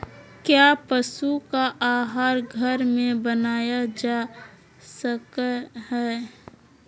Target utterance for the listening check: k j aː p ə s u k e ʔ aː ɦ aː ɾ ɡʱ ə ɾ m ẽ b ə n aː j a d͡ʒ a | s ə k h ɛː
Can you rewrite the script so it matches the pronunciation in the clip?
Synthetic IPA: k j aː p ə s u k a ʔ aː ɦ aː ɾ ɡʱ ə ɾ m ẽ b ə n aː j a d͡ʒ a | s ə k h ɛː